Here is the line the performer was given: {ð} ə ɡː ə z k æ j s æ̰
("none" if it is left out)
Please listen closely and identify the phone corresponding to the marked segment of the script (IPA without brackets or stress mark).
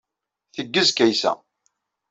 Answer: θ